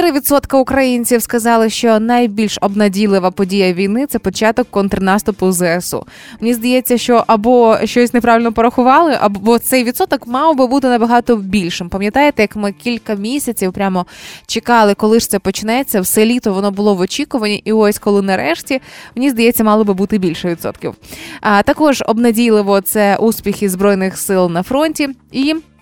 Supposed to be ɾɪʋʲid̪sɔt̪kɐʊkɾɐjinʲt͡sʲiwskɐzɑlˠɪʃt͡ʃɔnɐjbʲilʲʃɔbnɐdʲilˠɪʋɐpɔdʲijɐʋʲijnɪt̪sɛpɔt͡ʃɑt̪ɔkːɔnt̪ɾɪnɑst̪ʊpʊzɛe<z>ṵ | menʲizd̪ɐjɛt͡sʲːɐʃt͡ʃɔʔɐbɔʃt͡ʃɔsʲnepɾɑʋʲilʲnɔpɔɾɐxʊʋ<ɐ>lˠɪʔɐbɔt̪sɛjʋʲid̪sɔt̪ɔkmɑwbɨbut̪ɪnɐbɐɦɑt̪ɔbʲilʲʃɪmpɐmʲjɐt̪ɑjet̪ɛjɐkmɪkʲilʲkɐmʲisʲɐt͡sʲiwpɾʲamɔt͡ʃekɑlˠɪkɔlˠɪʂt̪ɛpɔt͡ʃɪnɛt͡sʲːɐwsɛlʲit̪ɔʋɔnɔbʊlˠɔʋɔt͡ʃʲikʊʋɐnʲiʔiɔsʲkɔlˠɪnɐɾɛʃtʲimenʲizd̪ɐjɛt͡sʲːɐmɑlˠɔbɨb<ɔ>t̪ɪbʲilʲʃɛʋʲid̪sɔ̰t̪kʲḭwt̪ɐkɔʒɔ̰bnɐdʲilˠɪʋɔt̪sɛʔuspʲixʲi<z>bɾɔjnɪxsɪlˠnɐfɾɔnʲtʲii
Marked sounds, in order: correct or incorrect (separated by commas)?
incorrect, incorrect, incorrect, correct